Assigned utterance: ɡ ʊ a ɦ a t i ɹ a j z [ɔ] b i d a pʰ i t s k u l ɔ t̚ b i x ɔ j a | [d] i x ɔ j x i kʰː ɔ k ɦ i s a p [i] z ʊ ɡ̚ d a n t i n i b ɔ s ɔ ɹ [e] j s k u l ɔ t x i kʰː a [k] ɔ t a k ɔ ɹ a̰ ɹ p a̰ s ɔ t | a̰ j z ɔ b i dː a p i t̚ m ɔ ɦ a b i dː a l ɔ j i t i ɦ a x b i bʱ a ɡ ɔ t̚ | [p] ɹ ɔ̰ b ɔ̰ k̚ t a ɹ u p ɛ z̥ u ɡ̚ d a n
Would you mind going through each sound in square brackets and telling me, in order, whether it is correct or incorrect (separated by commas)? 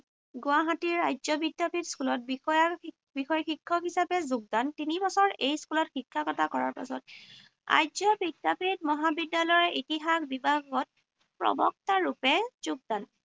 correct, incorrect, incorrect, correct, correct, correct